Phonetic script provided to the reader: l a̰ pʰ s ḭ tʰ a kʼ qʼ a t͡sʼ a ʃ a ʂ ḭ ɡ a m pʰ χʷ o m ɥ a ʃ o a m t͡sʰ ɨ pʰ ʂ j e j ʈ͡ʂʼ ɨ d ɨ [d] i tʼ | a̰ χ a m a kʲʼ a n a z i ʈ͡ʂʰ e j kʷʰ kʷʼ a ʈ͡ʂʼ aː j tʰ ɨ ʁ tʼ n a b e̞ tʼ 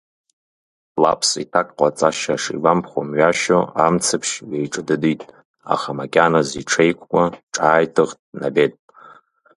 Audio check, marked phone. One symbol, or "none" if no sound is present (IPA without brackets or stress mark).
d